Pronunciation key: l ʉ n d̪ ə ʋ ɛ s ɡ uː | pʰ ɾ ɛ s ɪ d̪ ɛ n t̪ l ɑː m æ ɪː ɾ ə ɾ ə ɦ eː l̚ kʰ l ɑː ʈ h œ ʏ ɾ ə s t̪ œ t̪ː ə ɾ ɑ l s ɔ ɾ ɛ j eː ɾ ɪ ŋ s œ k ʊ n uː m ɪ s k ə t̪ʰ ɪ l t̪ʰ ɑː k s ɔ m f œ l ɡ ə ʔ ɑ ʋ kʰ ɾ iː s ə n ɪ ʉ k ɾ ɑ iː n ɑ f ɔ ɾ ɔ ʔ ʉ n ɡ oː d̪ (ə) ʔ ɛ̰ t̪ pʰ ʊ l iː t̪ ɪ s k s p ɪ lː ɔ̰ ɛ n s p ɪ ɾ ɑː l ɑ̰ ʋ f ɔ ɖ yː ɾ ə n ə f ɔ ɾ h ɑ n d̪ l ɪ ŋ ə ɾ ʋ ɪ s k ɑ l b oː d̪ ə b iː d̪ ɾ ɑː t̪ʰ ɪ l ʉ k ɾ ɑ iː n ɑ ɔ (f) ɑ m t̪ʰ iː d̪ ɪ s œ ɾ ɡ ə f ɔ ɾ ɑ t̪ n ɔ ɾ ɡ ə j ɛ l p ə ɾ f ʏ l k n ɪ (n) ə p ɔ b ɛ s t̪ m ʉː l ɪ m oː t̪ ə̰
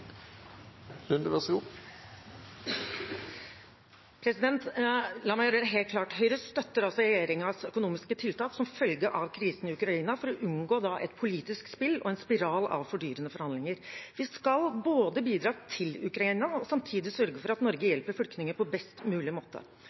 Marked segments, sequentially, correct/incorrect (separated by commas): incorrect, incorrect, incorrect